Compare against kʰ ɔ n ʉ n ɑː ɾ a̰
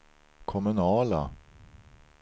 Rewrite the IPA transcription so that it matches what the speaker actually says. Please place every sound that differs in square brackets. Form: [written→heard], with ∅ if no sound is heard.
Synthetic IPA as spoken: kʰ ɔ [n→m] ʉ n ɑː [ɾ→l] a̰

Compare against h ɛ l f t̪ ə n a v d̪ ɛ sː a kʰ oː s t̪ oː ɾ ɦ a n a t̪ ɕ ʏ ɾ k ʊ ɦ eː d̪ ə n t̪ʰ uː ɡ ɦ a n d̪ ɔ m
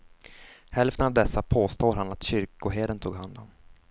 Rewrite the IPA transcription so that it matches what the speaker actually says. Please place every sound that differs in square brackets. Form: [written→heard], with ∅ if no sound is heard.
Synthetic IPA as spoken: h ɛ l f t̪ ə n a v d̪ ɛ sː a [kʰ→pʰ] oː s t̪ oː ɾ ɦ a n a t̪ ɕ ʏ ɾ k ʊ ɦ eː d̪ ə n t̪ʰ uː ɡ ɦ a n d̪ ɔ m

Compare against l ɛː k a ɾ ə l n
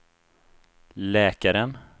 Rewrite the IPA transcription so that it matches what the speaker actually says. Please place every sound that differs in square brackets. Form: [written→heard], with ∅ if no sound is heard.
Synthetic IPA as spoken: l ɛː k a ɾ ə [l→∅] n

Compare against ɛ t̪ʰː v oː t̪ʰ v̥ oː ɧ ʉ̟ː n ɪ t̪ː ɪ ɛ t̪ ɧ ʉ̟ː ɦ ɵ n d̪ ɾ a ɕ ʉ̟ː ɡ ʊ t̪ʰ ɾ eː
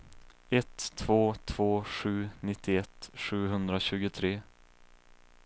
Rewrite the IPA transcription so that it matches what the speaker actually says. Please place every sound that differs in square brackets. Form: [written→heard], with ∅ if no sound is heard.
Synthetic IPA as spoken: ɛ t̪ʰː v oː t̪ʰ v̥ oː ɧ ʉ̟ː n ɪ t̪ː ɪ ɛ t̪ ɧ ʉ̟ː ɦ ɵ n d̪ ɾ a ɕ ʉ̟ː ɡ ʊ t̪ʰ ɾ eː

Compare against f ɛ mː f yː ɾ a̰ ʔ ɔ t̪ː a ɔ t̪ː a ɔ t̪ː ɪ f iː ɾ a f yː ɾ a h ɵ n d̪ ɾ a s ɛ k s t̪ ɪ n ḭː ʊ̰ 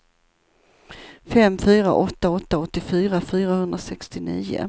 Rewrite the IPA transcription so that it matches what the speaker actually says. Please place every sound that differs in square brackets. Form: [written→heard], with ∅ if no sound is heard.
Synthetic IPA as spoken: f ɛ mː f yː ɾ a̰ ʔ ɔ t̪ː a ɔ t̪ː a ɔ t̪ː ɪ f [iː→yː] ɾ a f yː ɾ a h ɵ n d̪ ɾ a s ɛ k s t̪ ɪ n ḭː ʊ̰

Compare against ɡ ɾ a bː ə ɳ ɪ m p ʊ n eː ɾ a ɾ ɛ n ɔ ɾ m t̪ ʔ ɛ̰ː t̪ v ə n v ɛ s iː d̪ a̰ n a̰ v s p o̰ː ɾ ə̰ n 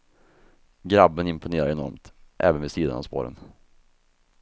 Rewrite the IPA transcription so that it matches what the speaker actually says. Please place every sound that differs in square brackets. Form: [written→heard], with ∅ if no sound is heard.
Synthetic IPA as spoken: ɡ ɾ a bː ə [ɳ→n] ɪ m p ʊ n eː ɾ a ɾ ɛ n ɔ ɾ m t̪ ʔ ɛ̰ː [t̪→∅] v ə n v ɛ s iː d̪ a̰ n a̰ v s p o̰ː ɾ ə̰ n

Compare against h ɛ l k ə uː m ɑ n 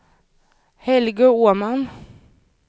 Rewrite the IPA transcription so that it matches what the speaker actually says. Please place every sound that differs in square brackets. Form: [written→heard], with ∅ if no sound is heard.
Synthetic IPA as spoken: h ɛ l [k→ɡ] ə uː m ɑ n

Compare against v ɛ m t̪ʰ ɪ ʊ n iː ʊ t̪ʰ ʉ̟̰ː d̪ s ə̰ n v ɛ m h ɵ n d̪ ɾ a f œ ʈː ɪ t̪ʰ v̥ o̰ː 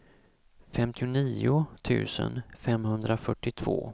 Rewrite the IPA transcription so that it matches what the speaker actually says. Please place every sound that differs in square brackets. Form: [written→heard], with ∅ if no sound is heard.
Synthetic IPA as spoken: [v→f] ɛ m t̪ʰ ɪ ʊ n iː ʊ t̪ʰ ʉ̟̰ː [d̪→∅] s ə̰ n [v→f] ɛ m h ɵ n d̪ ɾ a f œ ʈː ɪ t̪ʰ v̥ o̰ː

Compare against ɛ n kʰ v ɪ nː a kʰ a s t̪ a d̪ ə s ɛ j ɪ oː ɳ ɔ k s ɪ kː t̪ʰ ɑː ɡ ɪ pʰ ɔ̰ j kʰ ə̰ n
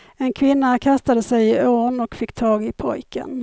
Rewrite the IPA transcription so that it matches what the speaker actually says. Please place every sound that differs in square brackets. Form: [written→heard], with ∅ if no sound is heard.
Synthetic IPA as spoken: ɛ n kʰ v ɪ nː a kʰ a s t̪ a d̪ ə s ɛ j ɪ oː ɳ ɔ k [s→f] ɪ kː t̪ʰ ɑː ɡ ɪ pʰ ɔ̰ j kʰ ə̰ n

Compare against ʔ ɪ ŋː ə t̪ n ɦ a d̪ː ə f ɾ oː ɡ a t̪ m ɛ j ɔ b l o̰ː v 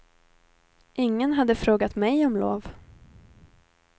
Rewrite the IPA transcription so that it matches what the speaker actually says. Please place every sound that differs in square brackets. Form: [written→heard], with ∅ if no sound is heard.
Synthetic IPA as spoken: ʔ ɪ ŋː ə [t̪→∅] n ɦ a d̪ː ə f ɾ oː ɡ a t̪ m ɛ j ɔ [b→m] l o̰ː v

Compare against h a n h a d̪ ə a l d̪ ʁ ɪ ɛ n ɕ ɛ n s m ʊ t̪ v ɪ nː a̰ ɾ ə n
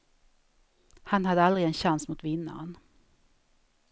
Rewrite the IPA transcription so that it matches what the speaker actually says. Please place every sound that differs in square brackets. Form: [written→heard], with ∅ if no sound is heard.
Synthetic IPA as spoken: h a n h a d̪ ə a l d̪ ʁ ɪ ɛ n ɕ [ɛ→a] n s m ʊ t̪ v ɪ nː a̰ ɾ ə n

